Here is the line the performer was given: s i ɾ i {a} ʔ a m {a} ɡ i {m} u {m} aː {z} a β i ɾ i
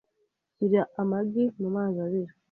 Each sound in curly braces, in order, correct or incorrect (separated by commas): correct, correct, correct, correct, correct